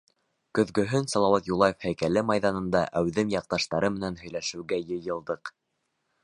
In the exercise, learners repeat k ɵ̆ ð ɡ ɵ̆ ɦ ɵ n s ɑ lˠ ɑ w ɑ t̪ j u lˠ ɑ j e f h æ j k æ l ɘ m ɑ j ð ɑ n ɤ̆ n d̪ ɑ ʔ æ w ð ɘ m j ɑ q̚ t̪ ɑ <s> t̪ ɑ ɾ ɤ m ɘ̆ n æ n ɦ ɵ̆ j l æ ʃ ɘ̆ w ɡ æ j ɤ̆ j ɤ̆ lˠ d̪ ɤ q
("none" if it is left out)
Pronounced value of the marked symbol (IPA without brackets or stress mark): ʃ